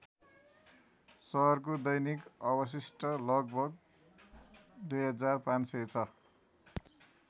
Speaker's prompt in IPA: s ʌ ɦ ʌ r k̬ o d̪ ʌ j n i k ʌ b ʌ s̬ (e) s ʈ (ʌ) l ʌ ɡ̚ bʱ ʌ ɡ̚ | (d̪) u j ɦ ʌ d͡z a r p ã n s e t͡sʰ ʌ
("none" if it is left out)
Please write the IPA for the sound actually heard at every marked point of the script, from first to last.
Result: i, ʌ, d̪

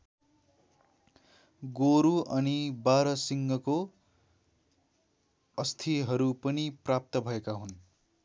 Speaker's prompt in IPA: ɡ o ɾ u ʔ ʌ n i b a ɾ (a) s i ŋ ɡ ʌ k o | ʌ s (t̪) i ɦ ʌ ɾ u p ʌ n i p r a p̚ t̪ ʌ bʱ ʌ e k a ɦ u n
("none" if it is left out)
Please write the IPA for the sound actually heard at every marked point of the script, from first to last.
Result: ʌ, t̪ʰ

